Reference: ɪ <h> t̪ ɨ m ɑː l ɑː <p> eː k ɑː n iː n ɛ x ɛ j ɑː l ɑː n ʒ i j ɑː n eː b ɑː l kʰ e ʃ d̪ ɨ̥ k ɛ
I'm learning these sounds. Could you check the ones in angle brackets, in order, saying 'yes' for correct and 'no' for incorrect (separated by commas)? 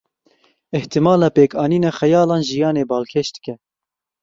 yes, yes